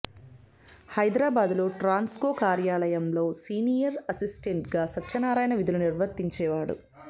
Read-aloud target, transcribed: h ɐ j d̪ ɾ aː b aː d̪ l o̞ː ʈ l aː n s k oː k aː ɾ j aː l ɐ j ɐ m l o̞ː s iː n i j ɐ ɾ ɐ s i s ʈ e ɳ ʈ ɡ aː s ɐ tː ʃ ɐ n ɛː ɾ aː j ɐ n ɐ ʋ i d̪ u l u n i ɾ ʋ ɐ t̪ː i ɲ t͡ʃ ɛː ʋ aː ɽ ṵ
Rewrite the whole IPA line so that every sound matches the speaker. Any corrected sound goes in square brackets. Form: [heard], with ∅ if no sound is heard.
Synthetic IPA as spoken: h ɐ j d̪ ɾ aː b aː d̪ l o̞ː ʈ [ɾ] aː n s k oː k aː ɾ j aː l ɐ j ɐ m l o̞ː s iː n i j ɐ ɾ ɐ s i s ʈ e ɳ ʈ ɡ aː s ɐ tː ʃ ɐ n [aː] ɾ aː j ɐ n ɐ ʋ i d̪ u l u n i ɾ ʋ ɐ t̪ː i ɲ t͡ʃ ɛː ʋ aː ɽ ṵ

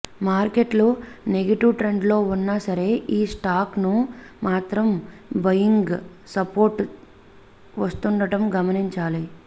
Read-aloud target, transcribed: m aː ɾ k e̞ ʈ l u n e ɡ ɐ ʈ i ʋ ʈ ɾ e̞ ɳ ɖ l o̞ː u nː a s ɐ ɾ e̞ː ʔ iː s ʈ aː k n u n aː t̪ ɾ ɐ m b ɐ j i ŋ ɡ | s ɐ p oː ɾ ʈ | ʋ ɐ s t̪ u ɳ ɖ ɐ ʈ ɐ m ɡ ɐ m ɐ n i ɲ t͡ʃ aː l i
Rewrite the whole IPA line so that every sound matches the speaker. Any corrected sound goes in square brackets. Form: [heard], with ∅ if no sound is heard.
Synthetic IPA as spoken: m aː ɾ k e̞ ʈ l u n e ɡ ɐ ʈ i ʋ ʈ ɾ e̞ ɳ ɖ l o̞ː u nː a s ɐ ɾ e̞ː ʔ iː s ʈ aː k n u [m] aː t̪ ɾ ɐ m b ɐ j i ŋ ɡ | s ɐ p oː ɾ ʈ | ʋ ɐ s t̪ u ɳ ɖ ɐ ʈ ɐ m ɡ ɐ m ɐ n i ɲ t͡ʃ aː l i

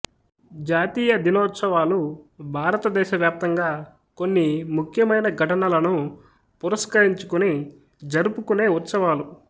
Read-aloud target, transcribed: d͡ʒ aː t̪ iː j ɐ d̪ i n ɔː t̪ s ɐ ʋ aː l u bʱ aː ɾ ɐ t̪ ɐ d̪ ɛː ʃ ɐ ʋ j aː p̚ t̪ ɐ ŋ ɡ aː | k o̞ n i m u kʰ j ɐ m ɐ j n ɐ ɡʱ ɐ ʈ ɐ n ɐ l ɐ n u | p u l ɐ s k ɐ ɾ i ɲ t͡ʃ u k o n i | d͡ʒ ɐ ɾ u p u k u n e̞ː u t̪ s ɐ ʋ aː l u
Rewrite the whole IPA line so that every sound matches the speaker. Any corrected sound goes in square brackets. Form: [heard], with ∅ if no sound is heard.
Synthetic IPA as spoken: d͡ʒ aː t̪ iː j ɐ d̪ i n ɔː t̪ s ɐ ʋ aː l u bʱ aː ɾ ɐ t̪ ɐ d̪ ɛː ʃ ɐ ʋ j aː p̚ t̪ ɐ ŋ ɡ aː | k o̞ [nː] i m u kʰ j ɐ m ɐ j n ɐ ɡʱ ɐ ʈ ɐ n ɐ l ɐ n u | p u [ɾ] ɐ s k ɐ ɾ i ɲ t͡ʃ u k [u] n i | d͡ʒ ɐ ɾ u p u k u n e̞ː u t̪ s ɐ ʋ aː l u

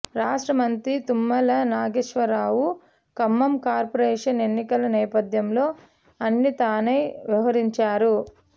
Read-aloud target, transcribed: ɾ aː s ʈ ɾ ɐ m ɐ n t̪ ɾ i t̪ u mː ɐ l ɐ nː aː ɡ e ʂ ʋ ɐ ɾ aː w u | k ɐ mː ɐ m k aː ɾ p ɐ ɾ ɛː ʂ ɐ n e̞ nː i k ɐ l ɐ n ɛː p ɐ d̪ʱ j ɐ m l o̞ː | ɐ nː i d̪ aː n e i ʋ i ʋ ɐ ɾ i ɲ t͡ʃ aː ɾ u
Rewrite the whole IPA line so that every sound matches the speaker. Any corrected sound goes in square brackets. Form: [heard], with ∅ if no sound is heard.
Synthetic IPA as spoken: ɾ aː [ʂ] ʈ ɾ ɐ m ɐ n t̪ ɾ i t̪ u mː ɐ l ɐ [n] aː ɡ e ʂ ʋ ɐ ɾ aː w u | k ɐ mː ɐ m k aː ɾ p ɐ ɾ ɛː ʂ ɐ n e̞ nː i k ɐ l ɐ n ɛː p ɐ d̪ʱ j ɐ m l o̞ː | ɐ nː i [t̪] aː n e [j] ʋ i ʋ ɐ ɾ i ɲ t͡ʃ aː ɾ u

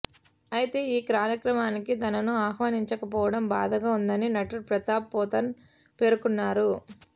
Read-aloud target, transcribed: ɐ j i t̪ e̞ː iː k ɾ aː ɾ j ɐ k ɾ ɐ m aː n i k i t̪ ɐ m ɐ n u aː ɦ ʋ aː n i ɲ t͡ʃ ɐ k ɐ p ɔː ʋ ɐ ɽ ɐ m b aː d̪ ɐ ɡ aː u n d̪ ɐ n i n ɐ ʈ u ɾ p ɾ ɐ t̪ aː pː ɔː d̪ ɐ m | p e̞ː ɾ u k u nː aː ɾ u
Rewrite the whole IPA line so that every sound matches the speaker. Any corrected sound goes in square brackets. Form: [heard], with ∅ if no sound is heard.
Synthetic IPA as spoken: ɐ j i t̪ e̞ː iː k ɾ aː ɾ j ɐ k ɾ ɐ m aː n i k i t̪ ɐ [n] ɐ n u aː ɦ ʋ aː n i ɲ t͡ʃ ɐ k ɐ p ɔː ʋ ɐ ɽ ɐ m b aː d̪ ɐ ɡ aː u n d̪ ɐ n i n ɐ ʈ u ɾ p ɾ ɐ t̪ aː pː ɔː [t̪] ɐ [n] | p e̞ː ɾ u k u nː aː ɾ u

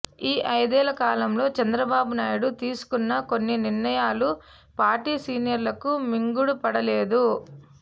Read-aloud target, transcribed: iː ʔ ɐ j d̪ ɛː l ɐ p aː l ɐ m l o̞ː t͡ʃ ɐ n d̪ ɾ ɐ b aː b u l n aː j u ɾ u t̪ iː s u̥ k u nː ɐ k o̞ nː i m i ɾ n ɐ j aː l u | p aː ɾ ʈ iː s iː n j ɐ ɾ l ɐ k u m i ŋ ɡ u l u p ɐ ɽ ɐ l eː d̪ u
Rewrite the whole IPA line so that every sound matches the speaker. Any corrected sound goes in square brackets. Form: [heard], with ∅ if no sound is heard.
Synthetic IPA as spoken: iː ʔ ɐ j d̪ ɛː l ɐ [k] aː l ɐ m l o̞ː t͡ʃ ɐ n d̪ ɾ ɐ b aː b u [∅] n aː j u [ɽ] u t̪ iː s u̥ k u nː ɐ k o̞ nː i [n] i ɾ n ɐ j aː l u | p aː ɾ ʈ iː s iː n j ɐ ɾ l ɐ k u m i ŋ ɡ u [ɽ] u p ɐ ɽ ɐ l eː d̪ u

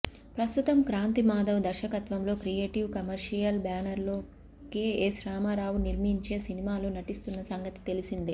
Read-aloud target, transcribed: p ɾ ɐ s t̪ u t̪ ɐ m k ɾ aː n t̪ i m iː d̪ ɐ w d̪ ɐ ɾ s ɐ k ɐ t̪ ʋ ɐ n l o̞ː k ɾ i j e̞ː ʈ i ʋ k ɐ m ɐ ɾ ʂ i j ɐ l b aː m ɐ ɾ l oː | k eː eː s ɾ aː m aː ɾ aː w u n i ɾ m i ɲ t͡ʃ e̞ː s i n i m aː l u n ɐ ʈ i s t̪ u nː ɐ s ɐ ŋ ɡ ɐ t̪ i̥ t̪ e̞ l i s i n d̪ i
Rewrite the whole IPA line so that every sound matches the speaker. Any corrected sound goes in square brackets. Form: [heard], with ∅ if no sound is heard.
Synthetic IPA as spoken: p ɾ ɐ s t̪ u t̪ ɐ m k ɾ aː n t̪ i m [aː] d̪ ɐ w d̪ ɐ ɾ [ʃ] ɐ k ɐ t̪ ʋ ɐ [m] l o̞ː k ɾ i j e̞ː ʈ i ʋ k ɐ m ɐ ɾ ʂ i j ɐ l b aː [n] ɐ ɾ l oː | k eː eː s ɾ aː m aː ɾ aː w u n i ɾ m i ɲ t͡ʃ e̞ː s i n i m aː l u n ɐ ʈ i s t̪ u nː ɐ s ɐ ŋ ɡ ɐ t̪ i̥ t̪ e̞ l i s i n d̪ i

